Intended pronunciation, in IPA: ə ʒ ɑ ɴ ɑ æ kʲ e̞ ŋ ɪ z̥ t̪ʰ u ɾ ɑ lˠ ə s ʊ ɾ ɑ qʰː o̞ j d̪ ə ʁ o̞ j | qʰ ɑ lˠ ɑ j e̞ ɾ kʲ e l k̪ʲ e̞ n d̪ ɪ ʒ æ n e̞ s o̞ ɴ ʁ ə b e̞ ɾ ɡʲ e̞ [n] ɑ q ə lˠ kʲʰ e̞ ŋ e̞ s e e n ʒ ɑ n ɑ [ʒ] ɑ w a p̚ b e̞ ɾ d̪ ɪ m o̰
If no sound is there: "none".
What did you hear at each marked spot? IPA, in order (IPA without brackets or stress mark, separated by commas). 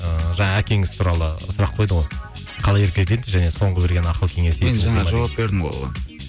n, ʒ